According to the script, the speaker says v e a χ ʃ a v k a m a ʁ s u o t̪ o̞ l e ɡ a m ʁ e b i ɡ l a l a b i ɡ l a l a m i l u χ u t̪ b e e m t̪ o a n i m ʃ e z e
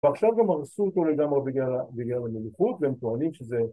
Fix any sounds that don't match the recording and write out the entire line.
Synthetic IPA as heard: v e a χ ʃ a v ɡ a m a ʁ s u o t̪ o̞ l e ɡ a m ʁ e b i ɡ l a l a b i ɡ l a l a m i l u χ u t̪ v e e m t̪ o a n i m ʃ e z e